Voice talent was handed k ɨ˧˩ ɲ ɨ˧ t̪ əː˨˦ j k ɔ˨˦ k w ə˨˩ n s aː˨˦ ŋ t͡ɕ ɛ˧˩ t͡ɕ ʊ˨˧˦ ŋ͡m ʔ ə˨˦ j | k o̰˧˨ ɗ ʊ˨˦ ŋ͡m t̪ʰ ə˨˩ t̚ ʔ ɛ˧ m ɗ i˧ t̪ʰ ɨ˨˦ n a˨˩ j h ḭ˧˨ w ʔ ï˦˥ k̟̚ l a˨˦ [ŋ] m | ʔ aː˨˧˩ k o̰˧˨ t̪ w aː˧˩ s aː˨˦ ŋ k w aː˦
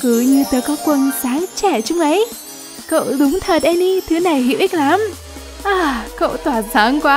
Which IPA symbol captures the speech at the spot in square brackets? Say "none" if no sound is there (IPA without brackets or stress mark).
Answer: none